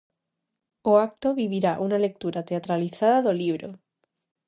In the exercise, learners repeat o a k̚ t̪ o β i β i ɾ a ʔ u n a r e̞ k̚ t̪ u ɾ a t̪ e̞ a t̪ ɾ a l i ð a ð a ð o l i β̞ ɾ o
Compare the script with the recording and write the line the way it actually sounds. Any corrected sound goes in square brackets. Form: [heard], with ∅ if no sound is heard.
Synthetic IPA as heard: o a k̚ t̪ o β i β i ɾ a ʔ u n a [l] e̞ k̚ t̪ u ɾ a t̪ e̞ a t̪ ɾ a l i [θ] a ð a ð o l i β̞ ɾ o